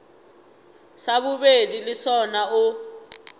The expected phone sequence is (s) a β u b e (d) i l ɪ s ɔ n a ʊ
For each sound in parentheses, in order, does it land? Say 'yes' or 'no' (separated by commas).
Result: yes, yes